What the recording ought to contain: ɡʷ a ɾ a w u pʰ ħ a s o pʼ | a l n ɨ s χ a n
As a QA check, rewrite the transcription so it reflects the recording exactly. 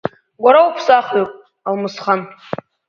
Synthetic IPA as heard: ɡʷ a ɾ a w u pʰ s a χ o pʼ | a l m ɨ s χ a n